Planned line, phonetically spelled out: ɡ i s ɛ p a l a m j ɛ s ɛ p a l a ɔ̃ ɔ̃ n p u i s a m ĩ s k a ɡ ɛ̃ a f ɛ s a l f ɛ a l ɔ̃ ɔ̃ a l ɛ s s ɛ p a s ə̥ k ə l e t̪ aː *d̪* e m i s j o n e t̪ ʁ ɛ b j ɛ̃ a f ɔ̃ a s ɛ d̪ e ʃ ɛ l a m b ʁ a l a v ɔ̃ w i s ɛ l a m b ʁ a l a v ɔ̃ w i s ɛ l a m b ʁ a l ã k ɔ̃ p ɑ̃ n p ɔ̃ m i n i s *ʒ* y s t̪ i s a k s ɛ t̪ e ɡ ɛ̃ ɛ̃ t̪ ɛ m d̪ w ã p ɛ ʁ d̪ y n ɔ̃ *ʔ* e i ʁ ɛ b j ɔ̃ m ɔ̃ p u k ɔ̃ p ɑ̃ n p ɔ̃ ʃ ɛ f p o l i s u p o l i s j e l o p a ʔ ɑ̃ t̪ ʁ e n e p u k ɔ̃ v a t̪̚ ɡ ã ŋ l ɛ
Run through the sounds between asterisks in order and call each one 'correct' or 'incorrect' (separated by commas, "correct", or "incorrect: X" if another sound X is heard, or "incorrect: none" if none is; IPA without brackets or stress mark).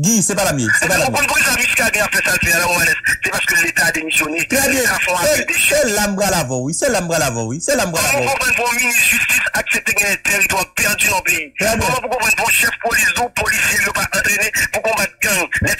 correct, correct, incorrect: p